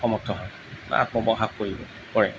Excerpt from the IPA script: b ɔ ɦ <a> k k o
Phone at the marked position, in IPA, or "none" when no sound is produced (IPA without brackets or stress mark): a